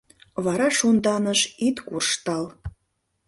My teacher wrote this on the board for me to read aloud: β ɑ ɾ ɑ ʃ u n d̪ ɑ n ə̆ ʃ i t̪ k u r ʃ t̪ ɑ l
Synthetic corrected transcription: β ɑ ɾ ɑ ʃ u n d̪ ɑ n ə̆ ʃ i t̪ k u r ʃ t̪ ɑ l